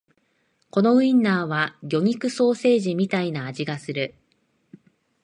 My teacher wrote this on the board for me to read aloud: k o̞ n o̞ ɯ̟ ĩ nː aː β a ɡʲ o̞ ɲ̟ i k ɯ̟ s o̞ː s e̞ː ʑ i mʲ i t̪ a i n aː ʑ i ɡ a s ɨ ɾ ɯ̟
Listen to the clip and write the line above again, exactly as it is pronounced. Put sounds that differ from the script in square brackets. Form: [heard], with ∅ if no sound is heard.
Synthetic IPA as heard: k o̞ n o̞ ɯ̟ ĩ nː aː β a ɡʲ o̞ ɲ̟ i k ɯ̟ s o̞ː s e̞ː ʑ i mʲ i t̪ a i n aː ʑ i ɡ a s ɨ ɾ ɯ̟

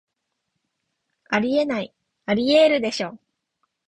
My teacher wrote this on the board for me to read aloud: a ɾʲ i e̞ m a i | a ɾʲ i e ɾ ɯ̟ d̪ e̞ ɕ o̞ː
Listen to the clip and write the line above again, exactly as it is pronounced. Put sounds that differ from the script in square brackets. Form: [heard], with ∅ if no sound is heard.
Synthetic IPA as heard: a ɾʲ i e̞ [n] a i | a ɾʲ i e ɾ ɯ̟ d̪ e̞ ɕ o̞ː

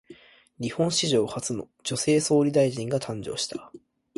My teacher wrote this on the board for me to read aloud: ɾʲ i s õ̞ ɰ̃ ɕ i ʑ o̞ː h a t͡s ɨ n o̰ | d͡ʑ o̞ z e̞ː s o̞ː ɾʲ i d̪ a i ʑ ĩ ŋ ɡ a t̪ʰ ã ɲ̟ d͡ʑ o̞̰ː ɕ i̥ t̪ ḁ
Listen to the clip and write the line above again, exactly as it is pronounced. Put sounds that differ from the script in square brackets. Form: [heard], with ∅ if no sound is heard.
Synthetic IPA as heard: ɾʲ i [h] õ̞ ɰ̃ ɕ i ʑ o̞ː h a t͡s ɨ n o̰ | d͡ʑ o̞ [s] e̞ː s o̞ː ɾʲ i d̪ a i ʑ ĩ ŋ ɡ a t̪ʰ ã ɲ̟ d͡ʑ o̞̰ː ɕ i̥ t̪ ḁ

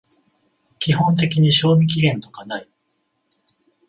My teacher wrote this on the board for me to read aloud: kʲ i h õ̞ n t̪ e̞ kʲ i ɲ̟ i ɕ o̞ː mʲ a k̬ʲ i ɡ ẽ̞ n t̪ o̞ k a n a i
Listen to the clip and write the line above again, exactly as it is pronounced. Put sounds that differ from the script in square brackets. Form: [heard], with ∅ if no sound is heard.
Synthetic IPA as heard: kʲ i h õ̞ n t̪ e̞ kʲ i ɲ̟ i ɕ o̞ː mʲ [i] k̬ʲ i ɡ ẽ̞ n t̪ o̞ k a n a i

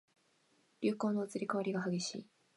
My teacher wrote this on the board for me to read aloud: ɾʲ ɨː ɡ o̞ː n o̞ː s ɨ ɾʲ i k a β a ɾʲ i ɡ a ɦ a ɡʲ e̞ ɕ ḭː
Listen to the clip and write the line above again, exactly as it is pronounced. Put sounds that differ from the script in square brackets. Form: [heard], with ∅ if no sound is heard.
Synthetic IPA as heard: ɾʲ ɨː [k] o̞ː n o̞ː [t͡s] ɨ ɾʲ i k a β a ɾʲ i ɡ a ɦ a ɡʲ e̞ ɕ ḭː

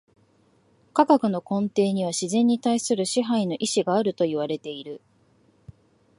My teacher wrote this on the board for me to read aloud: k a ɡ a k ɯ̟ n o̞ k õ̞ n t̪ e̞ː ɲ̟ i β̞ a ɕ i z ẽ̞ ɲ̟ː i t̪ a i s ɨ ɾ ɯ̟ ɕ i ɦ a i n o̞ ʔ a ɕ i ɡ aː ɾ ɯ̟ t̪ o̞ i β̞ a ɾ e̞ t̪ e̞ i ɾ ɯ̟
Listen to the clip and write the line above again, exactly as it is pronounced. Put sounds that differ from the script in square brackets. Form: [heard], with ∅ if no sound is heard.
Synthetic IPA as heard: k a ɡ a k ɯ̟ n o̞ k õ̞ n t̪ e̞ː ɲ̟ i β̞ a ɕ i z ẽ̞ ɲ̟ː i t̪ a i s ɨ ɾ ɯ̟ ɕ i ɦ a i n o̞ ʔ [i] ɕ i ɡ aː ɾ ɯ̟ t̪ o̞ i β̞ a ɾ e̞ t̪ e̞ i ɾ ɯ̟

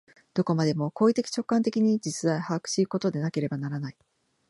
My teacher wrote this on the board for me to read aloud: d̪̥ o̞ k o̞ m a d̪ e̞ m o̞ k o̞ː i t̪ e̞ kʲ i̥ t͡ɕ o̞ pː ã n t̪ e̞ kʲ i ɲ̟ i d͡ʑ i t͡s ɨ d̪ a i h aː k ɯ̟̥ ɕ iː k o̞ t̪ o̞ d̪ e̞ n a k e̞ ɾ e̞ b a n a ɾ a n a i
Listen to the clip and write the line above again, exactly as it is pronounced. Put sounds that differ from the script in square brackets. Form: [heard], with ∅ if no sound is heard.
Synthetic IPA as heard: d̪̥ o̞ k o̞ m a d̪ e̞ m o̞ k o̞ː i t̪ e̞ kʲ i̥ t͡ɕ o̞ [kː] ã n t̪ e̞ kʲ i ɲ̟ i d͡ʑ i t͡s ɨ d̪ a i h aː k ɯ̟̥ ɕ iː k o̞ t̪ o̞ d̪ e̞ n a k e̞ ɾ e̞ b a n a ɾ a n a i

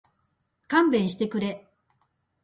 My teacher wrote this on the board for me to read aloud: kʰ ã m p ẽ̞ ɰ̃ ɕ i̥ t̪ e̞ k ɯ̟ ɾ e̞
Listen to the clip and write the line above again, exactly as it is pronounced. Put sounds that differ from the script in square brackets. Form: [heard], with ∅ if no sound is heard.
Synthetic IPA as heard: [k] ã m [b] ẽ̞ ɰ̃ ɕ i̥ t̪ e̞ k ɯ̟ ɾ e̞

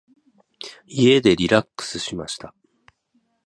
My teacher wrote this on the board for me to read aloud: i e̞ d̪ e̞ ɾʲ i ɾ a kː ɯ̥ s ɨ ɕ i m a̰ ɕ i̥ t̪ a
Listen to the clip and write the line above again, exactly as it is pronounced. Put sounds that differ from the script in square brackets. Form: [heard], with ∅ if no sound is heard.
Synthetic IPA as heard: i e̞ d̪ e̞ ɾʲ i ɾ a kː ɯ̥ s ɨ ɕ i m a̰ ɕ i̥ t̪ a

